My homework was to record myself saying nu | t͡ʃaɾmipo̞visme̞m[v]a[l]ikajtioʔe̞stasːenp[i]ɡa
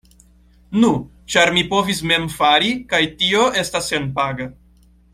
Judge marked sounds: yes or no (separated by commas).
no, no, no